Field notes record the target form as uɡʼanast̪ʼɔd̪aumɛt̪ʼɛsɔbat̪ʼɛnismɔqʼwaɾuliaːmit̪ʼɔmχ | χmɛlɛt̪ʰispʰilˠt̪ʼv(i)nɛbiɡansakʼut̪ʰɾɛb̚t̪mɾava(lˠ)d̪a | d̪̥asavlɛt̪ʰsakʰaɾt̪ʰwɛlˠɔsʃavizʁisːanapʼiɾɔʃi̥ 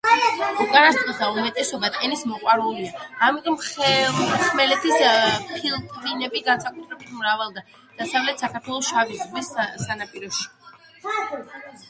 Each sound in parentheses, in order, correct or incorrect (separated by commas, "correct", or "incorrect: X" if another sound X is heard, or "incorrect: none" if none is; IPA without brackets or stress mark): correct, correct